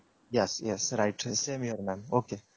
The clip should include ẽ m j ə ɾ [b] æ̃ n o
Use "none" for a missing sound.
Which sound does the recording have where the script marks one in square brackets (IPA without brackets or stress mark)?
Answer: m